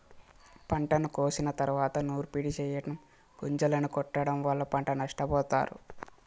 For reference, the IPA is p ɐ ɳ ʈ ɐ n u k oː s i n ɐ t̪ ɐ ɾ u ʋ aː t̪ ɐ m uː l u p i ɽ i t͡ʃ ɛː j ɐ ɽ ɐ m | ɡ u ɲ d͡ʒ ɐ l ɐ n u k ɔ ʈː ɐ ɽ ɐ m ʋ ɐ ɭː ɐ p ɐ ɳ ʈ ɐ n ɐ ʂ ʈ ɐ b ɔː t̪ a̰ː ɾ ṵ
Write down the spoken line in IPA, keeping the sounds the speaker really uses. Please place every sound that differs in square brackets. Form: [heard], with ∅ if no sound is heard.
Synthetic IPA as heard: p ɐ ɳ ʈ ɐ n u k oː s i n ɐ t̪ ɐ ɾ u ʋ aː t̪ ɐ [n] uː [ɾ] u p i ɽ i t͡ʃ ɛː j ɐ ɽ ɐ m | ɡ u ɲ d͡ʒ ɐ l ɐ n u k ɔ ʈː ɐ ɽ ɐ m ʋ ɐ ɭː ɐ p ɐ ɳ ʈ ɐ n ɐ ʂ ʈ ɐ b ɔː t̪ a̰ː ɾ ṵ